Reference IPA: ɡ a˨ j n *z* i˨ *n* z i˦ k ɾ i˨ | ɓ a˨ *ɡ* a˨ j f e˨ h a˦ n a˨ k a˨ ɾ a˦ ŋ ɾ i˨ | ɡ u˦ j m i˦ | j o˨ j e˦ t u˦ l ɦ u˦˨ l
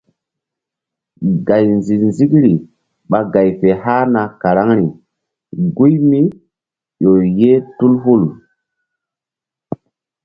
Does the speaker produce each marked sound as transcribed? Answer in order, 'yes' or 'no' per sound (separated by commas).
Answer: yes, yes, yes